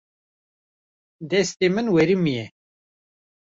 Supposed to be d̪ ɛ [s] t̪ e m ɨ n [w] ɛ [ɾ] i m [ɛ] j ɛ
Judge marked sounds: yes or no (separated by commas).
yes, yes, yes, no